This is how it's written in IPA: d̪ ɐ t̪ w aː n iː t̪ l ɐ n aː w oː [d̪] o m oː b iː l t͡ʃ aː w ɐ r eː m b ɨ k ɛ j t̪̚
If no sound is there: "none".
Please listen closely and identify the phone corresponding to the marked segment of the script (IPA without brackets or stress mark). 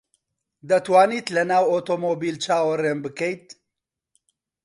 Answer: t̪